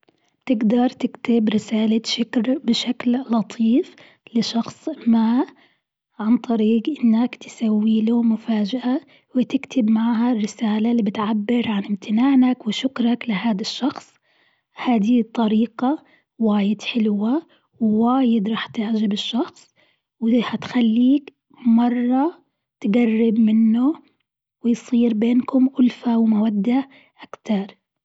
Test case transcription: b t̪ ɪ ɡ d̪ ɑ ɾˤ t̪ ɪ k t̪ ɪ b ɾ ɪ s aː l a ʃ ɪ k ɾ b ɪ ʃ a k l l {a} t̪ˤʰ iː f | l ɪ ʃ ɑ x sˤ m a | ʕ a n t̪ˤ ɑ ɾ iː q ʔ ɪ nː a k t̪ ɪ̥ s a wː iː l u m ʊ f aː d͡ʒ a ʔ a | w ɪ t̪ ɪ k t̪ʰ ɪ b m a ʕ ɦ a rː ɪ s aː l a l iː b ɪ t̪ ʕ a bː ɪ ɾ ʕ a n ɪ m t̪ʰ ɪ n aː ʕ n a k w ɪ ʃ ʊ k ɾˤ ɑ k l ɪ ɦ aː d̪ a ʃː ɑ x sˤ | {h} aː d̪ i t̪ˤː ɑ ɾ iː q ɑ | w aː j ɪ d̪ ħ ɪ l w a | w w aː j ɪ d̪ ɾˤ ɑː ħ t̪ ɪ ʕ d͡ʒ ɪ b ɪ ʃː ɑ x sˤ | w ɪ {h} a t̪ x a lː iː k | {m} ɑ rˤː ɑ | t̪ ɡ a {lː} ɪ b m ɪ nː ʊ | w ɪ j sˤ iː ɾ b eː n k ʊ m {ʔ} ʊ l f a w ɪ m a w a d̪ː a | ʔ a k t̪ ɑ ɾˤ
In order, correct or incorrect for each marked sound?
incorrect: ɑ, correct, correct, correct, incorrect: rː, correct

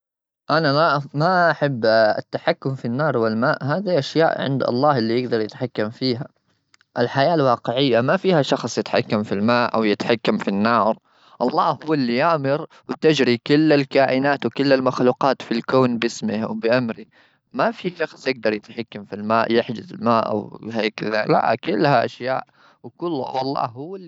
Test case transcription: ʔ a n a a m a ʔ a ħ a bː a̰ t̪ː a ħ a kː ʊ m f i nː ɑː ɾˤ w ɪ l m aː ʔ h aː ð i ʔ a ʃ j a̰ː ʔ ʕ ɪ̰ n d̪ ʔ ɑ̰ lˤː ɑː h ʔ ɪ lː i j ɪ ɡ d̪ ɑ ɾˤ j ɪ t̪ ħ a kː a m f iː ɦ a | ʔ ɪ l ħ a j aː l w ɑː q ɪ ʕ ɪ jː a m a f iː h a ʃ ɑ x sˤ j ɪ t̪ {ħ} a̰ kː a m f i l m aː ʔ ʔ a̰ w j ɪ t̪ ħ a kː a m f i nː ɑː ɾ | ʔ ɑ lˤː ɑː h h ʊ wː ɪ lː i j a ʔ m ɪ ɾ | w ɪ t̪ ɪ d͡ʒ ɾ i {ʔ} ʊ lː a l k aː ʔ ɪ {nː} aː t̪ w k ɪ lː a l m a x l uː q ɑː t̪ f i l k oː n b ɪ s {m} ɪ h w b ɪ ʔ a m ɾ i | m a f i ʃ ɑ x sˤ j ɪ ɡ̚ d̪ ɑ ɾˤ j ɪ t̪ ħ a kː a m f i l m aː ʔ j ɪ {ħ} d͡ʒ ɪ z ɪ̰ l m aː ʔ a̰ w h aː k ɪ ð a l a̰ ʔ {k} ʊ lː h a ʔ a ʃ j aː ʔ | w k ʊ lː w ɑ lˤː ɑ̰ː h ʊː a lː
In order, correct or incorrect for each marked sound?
correct, incorrect: k, incorrect: n, correct, correct, correct

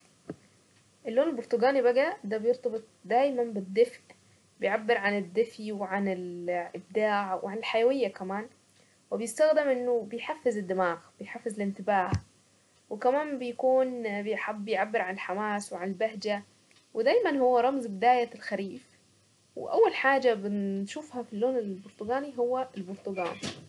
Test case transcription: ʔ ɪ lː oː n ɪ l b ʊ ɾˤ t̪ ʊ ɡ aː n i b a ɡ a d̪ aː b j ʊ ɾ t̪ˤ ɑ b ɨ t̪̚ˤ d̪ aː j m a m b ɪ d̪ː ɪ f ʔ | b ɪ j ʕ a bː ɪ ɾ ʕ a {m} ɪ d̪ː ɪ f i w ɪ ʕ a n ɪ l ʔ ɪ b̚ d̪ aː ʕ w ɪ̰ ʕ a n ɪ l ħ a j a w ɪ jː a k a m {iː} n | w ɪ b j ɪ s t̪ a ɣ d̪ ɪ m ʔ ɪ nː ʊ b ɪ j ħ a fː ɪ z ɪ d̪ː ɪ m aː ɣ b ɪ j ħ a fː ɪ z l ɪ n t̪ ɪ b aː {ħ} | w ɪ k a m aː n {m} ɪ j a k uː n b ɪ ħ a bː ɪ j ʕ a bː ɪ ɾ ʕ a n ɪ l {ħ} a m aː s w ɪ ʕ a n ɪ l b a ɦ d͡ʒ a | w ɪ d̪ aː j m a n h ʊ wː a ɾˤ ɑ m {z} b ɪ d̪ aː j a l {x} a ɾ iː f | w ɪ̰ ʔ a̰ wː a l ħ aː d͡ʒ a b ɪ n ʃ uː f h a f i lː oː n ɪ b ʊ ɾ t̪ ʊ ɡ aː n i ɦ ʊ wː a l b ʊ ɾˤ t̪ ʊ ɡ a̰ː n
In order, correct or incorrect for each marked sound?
incorrect: n, incorrect: aː, incorrect: h, incorrect: b, correct, correct, correct

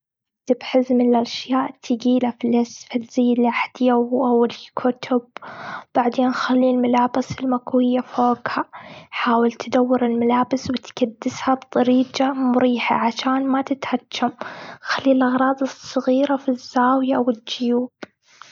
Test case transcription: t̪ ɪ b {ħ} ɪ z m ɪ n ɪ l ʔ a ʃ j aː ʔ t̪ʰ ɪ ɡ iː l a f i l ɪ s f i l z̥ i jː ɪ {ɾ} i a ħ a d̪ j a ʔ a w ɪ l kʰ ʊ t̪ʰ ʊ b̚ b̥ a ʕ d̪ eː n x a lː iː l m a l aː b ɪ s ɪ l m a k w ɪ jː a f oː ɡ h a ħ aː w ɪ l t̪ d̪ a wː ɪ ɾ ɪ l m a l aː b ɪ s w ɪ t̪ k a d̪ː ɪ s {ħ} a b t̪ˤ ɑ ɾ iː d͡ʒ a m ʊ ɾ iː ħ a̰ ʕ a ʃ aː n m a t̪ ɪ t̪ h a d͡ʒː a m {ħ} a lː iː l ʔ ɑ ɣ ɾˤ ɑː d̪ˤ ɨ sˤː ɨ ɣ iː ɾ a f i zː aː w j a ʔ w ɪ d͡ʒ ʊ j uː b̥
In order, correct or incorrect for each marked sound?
correct, incorrect: l, incorrect: h, incorrect: x

